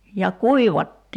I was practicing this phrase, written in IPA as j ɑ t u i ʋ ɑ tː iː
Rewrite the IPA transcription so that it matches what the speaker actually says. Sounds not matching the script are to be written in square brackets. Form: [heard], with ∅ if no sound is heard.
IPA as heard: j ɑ [k] u i ʋ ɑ tː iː